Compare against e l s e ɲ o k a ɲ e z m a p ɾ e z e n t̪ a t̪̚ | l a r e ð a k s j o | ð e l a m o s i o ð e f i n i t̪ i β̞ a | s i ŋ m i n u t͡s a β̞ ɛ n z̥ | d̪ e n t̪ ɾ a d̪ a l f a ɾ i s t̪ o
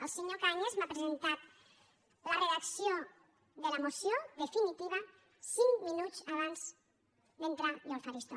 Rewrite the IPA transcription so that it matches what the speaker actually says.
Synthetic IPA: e l s e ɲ o k a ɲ e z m a p ɾ e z e n t̪ a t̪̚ | l a r e ð a k s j o | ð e l a m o s j o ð e f i n i t̪ i β̞ a | s i ŋ m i n u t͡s a β̞ a n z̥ | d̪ e n t̪ ɾ a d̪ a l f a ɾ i s t̪ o